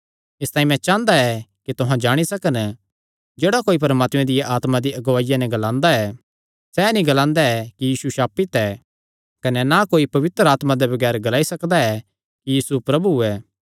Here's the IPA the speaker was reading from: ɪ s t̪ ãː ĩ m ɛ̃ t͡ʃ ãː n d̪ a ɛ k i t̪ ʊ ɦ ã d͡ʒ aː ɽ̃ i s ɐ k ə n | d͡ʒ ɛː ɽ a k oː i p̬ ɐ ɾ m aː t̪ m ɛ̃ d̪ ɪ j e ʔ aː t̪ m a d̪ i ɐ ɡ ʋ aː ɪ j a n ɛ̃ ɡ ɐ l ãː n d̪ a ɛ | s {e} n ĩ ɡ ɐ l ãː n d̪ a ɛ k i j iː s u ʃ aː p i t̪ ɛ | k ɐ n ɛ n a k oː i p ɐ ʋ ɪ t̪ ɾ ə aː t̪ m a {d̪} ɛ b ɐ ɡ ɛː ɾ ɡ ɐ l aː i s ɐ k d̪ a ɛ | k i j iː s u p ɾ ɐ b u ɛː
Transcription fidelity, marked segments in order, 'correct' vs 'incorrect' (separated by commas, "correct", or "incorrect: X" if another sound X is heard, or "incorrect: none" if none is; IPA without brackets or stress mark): incorrect: ɛ, correct